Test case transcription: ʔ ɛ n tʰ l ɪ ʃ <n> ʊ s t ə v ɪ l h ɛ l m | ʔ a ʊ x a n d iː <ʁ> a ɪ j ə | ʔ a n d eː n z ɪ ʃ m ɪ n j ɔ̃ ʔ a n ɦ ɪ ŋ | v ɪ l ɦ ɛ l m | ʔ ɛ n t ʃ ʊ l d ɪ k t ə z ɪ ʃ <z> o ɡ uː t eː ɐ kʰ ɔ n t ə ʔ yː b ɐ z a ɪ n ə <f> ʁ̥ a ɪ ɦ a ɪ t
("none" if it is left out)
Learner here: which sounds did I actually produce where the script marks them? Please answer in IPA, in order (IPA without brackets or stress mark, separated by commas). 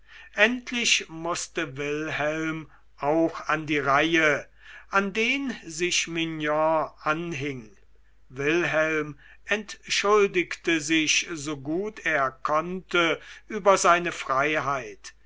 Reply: m, ʁ, z, f